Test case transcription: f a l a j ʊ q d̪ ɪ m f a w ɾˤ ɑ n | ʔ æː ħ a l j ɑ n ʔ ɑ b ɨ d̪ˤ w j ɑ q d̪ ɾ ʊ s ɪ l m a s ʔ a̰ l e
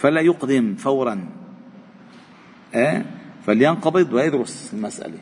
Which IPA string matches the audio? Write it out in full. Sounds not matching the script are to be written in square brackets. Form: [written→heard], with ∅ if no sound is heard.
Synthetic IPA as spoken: f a l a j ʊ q d̪ ɪ m f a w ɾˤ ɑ n | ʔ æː [ħ→f] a l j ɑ n [ʔ→q] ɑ b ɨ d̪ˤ w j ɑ [q→∅] d̪ ɾ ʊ s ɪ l m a s ʔ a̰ l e